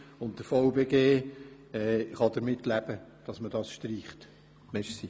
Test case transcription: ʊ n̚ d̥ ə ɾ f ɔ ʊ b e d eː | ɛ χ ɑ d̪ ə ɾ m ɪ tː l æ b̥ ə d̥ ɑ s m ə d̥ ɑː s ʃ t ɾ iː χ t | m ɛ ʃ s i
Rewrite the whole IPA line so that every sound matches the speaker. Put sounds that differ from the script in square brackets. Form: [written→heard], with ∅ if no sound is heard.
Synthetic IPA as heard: ʊ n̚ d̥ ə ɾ f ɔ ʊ b e [d→ɡ] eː | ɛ χ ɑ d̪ ə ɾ m ɪ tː l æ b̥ ə d̥ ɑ s m ə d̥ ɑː s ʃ t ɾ iː χ t | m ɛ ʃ s i